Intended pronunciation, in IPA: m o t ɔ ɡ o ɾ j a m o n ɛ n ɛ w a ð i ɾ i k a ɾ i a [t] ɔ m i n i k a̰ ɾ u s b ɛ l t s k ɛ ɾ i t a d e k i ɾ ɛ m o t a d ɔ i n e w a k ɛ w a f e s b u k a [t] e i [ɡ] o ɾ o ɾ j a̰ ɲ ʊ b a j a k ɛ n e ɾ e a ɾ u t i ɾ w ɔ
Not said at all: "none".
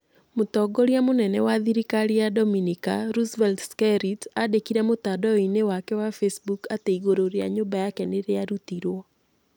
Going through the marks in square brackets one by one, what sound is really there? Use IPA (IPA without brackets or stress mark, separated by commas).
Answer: d, t, ɡ